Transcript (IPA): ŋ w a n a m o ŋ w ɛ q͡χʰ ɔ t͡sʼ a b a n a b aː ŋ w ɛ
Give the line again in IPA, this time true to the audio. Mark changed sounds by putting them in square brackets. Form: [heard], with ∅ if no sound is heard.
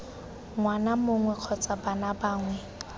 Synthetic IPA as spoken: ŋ w a n a m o ŋ w ɛ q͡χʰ ɔ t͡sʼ a b a n a b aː ŋ w ɛ